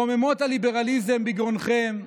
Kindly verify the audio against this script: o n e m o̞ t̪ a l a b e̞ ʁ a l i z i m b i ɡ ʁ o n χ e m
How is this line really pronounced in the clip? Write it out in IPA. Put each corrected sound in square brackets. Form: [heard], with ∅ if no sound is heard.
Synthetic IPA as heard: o [m] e m o̞ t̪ a l [i] b e̞ ʁ a l i z [e] m b i ɡ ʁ o n χ e m